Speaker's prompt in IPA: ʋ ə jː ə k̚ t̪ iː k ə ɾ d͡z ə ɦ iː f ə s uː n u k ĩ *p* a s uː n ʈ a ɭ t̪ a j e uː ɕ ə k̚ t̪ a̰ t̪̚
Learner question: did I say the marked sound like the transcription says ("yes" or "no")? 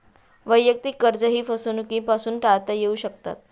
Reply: yes